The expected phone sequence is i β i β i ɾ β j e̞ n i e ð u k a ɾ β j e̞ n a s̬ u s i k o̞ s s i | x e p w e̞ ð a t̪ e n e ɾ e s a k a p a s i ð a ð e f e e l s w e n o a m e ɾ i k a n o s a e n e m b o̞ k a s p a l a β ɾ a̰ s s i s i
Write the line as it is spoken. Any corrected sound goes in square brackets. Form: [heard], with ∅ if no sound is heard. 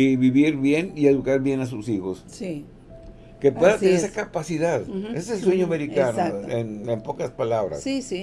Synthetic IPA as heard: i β i β i ɾ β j e̞ n i e ð u k a ɾ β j e̞ n a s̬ u s i [x] o̞ s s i | [k] e p w e̞ ð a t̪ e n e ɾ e s a k a p a s i ð a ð e [s] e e l s w e [ɲ] o a m e ɾ i k a n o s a e n e m [p] o̞ k a s p a l a β ɾ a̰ s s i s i